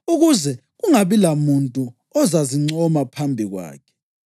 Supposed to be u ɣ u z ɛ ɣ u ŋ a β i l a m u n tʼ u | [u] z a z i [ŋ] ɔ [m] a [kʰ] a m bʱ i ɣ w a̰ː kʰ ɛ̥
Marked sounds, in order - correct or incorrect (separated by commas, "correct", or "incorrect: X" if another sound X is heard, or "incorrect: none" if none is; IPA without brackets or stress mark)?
incorrect: ɔ, incorrect: ŋ͡ǀ, correct, incorrect: pʰ